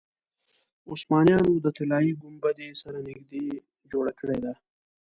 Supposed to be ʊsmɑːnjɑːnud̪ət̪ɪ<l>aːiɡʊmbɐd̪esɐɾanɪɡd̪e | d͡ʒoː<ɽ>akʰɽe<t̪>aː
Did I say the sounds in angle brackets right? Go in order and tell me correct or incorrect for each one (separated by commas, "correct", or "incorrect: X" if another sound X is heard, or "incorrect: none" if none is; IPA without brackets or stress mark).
correct, correct, incorrect: d̪